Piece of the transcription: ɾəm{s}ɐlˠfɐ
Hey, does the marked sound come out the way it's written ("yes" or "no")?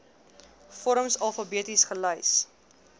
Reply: yes